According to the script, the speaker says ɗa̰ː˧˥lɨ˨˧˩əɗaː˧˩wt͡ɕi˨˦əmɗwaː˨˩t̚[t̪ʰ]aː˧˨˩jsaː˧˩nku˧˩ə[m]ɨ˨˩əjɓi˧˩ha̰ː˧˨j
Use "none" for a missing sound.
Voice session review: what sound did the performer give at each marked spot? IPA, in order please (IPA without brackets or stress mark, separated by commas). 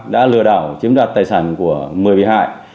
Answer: t̪, m